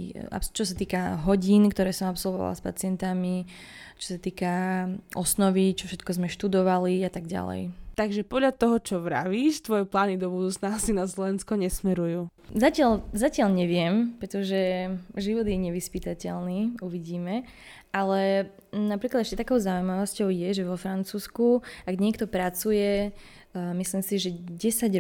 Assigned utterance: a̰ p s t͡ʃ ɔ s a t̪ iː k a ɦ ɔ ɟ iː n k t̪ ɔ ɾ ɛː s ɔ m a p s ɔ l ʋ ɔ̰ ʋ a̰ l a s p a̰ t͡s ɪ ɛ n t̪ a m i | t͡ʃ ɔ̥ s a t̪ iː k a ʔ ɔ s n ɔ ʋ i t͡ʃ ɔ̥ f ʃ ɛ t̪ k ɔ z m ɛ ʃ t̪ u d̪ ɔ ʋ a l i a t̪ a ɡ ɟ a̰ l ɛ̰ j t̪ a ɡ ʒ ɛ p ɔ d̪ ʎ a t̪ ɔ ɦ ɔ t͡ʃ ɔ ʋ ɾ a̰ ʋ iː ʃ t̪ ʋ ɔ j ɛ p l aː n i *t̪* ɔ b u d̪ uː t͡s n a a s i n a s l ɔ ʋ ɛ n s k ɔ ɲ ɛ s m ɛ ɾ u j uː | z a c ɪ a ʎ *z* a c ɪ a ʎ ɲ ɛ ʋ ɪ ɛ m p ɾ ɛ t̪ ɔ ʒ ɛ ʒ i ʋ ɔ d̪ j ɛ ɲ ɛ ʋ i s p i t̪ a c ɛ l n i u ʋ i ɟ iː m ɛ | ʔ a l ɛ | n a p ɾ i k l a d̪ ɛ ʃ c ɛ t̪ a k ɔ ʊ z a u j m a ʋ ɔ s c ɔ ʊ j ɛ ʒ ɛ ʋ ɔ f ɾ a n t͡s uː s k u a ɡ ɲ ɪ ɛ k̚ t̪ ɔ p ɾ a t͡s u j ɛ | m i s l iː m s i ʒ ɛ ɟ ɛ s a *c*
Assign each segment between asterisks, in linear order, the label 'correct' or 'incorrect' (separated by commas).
incorrect, correct, incorrect